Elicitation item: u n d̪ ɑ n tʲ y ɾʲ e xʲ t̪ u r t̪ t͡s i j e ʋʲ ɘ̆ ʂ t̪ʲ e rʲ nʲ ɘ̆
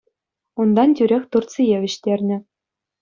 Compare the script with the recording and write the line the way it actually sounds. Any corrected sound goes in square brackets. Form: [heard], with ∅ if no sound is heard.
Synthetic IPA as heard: u n d̪ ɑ n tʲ y ɾʲ e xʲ t̪ u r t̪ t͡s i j e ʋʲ ɘ̆ [ɕ] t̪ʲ e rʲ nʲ ɘ̆